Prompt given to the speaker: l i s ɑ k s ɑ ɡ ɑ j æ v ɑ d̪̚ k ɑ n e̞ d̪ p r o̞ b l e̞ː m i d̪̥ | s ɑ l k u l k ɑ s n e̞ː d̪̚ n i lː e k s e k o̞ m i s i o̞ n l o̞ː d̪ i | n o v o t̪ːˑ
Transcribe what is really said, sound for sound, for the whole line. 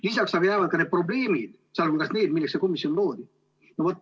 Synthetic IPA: l i s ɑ k s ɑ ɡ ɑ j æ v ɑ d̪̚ k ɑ n e̞ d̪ p r o̞ b l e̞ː m i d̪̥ | s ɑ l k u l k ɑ s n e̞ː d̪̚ m i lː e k s e k o̞ m i s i o̞ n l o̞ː d̪ i | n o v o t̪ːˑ